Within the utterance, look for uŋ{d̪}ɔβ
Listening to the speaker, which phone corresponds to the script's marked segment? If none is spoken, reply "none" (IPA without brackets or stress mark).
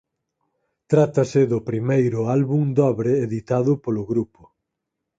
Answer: d̪